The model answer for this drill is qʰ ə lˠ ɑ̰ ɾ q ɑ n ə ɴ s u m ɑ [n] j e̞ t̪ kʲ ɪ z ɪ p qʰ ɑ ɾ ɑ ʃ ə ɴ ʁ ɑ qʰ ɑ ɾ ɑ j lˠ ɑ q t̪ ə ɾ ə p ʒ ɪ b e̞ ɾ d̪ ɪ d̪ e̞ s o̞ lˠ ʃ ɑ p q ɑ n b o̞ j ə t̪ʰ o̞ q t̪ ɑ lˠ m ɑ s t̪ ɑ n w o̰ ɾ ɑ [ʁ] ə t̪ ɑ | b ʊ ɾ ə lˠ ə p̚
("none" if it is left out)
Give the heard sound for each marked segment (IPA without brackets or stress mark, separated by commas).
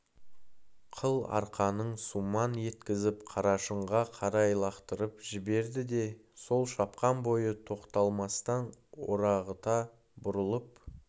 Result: n, ʁ